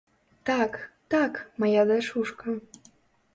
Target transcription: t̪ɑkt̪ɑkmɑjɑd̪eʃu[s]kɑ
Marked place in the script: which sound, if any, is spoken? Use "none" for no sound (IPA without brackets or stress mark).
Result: ʃ